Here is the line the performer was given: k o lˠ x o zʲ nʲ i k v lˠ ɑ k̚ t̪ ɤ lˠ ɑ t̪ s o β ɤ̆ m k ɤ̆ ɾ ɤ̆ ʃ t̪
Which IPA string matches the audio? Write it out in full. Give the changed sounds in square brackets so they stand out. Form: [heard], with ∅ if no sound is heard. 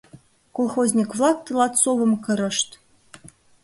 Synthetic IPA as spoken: k o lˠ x o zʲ nʲ i k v lˠ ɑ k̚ t̪ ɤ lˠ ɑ t̪ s o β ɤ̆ m k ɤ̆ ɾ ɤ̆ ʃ t̪